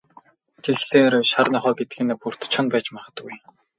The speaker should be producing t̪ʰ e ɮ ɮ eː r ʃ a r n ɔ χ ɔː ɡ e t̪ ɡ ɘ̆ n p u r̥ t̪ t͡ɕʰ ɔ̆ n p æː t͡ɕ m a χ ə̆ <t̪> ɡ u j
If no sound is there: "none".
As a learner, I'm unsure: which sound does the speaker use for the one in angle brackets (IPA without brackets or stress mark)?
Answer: t̪